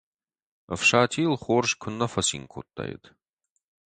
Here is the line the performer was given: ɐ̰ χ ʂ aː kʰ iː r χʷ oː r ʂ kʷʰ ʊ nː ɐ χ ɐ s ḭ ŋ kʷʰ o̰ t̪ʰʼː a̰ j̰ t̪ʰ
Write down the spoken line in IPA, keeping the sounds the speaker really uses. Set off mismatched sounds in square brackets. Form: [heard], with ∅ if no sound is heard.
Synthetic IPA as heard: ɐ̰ [f] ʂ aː [tʰ] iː [l] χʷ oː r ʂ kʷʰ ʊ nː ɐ [f] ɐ s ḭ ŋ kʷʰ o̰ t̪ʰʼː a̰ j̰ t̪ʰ